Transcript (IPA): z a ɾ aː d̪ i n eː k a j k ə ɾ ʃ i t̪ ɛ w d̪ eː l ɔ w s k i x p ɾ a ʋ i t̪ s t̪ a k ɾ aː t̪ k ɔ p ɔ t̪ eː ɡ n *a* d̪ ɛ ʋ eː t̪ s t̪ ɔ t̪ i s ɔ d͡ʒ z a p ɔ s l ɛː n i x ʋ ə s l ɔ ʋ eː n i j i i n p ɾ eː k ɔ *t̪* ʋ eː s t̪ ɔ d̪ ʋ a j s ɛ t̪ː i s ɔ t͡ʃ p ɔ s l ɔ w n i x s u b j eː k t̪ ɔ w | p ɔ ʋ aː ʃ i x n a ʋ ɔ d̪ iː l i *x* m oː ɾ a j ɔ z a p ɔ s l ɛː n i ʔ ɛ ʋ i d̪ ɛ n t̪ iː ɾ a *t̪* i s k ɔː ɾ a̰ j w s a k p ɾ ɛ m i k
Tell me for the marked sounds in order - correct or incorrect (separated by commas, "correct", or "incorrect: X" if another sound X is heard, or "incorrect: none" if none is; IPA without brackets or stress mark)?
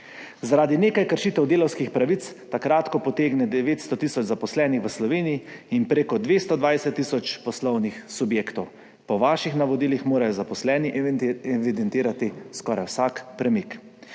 incorrect: ɛ, incorrect: d̪, correct, correct